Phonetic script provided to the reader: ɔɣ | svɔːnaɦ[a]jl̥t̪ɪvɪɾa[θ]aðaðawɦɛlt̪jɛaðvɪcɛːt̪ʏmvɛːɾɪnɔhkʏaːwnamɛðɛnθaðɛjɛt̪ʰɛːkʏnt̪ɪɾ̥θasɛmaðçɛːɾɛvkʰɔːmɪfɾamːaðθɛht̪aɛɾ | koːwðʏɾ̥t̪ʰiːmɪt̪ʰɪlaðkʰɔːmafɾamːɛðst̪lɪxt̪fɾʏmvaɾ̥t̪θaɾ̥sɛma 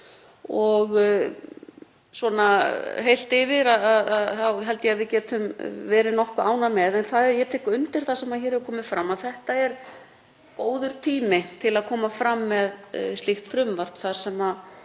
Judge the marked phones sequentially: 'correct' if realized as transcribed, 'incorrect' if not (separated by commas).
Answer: incorrect, incorrect